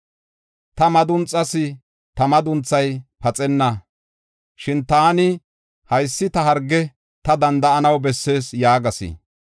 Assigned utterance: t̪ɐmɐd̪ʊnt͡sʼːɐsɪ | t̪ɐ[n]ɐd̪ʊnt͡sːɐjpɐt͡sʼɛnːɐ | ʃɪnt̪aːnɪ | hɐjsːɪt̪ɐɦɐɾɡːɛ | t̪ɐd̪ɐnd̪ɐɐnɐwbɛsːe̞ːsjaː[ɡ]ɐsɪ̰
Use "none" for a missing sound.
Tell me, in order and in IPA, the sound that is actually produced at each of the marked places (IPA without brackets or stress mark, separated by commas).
m, ɡ